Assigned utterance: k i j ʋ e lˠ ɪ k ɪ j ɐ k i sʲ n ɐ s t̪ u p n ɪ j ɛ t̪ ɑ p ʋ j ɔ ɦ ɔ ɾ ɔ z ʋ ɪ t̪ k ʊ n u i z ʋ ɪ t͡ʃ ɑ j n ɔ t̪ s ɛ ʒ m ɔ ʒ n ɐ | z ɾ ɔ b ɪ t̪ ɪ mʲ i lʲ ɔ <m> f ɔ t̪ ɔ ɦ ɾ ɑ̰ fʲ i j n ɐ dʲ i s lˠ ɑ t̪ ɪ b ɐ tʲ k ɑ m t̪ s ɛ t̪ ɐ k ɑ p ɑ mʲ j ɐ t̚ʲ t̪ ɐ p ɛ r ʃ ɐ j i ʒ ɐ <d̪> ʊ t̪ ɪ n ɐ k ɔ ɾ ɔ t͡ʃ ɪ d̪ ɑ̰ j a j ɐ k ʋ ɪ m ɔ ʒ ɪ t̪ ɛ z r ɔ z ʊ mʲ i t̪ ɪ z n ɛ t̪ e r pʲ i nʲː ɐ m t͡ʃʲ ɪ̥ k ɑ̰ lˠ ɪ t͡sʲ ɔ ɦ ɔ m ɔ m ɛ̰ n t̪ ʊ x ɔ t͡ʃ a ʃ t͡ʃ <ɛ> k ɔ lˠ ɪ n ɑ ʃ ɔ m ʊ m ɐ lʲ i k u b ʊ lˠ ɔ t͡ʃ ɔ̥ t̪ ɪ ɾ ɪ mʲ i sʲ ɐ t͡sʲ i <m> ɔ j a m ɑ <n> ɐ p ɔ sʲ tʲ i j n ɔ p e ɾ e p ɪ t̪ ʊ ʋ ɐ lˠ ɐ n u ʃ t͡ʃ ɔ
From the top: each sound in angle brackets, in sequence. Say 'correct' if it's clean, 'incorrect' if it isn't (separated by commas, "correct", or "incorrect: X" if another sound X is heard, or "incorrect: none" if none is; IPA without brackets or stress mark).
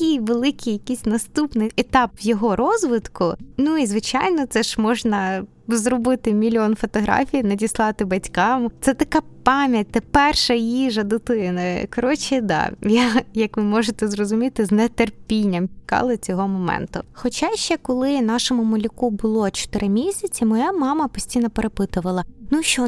incorrect: n, correct, correct, correct, incorrect: m